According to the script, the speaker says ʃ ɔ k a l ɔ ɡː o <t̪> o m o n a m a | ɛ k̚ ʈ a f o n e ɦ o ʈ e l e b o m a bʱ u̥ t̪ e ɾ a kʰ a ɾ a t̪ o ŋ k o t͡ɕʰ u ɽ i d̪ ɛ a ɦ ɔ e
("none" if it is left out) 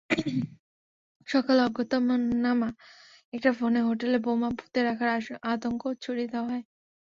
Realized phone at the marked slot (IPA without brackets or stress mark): t̪